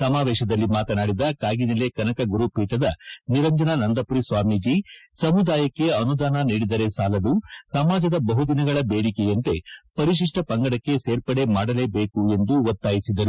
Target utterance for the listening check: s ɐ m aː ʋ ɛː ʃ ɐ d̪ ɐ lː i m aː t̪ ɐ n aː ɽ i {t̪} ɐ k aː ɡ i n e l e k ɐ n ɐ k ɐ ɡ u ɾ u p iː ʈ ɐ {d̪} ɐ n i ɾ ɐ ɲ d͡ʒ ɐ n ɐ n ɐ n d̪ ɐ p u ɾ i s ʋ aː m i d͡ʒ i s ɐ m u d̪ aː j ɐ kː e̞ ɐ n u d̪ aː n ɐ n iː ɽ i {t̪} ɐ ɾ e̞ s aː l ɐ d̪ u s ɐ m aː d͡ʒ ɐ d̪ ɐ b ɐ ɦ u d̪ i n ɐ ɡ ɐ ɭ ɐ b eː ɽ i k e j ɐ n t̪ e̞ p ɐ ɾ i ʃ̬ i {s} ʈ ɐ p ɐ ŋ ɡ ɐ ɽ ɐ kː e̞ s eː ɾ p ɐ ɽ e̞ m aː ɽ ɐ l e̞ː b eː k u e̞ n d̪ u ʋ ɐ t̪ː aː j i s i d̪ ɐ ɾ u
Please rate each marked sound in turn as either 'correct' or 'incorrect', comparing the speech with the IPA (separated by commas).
incorrect, correct, incorrect, incorrect